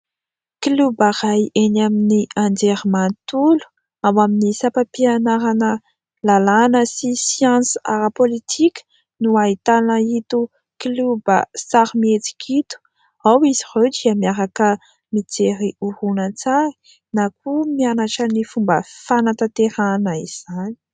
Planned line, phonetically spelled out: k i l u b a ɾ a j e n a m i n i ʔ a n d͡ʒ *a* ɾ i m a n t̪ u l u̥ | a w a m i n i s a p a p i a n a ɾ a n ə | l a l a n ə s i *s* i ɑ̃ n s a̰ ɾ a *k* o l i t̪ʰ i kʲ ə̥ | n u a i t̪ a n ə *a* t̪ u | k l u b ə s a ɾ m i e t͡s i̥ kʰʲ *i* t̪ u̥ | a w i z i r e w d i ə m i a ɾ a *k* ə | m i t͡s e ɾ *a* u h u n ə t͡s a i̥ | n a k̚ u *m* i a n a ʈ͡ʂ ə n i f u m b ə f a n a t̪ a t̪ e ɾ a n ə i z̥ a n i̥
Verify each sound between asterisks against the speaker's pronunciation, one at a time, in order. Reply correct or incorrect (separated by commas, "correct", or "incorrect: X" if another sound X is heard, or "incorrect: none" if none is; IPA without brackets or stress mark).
incorrect: e, correct, incorrect: p, incorrect: i, correct, correct, incorrect: i, correct